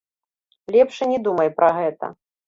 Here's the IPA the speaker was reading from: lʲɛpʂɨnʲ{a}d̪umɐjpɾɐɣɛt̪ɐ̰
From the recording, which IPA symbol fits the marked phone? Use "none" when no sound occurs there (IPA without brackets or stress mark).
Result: ɛ